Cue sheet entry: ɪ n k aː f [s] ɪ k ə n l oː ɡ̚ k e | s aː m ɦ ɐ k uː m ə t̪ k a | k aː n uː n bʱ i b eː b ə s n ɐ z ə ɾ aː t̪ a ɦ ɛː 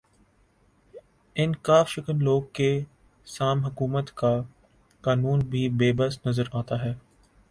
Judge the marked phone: incorrect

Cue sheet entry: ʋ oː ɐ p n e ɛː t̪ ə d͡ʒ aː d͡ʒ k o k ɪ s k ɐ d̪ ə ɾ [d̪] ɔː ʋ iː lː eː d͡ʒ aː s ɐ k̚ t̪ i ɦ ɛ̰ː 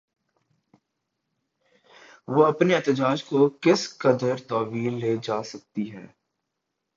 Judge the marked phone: incorrect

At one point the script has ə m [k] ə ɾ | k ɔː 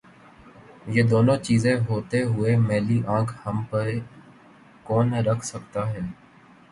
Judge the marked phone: incorrect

